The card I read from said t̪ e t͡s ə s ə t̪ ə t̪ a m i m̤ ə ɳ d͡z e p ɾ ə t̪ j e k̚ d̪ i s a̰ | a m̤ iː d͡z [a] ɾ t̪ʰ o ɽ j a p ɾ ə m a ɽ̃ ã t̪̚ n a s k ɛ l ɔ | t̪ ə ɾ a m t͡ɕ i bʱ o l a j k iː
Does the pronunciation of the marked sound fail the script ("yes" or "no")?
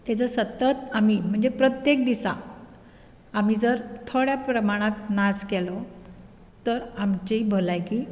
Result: yes